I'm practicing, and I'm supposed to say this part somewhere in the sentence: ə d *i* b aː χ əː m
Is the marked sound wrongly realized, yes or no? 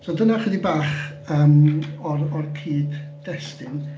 no